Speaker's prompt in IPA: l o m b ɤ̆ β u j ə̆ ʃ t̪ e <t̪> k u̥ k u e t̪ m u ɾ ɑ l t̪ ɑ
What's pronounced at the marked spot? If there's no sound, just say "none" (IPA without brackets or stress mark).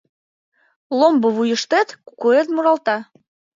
t̪